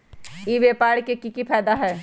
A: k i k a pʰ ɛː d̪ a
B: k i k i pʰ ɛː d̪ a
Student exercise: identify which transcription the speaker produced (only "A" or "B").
B